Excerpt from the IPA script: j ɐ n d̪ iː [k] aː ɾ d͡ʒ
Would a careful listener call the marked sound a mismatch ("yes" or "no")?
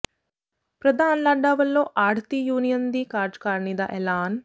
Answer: no